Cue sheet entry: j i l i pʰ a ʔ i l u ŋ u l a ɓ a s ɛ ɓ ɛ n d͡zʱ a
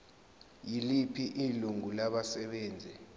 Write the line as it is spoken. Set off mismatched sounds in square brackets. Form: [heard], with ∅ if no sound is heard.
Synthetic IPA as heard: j i l i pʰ [i] ʔ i l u ŋ u l a ɓ a s ɛ ɓ [ɛː] n d͡zʱ [ɛ]